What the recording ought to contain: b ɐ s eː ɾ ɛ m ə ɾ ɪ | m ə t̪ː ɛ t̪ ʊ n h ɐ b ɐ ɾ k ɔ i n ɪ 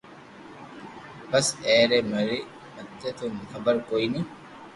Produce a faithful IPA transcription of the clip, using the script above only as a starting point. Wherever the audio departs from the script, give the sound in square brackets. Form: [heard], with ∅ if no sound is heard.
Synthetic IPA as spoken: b ɐ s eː ɾ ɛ m [ɐ] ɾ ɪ | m [ɐ] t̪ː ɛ t̪ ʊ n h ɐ b ɐ ɾ k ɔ [j] n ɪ